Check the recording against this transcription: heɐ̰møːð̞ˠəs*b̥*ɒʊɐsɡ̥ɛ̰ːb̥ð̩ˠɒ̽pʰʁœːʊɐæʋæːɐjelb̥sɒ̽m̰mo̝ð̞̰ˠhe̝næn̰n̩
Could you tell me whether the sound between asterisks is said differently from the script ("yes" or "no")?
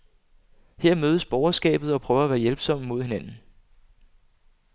no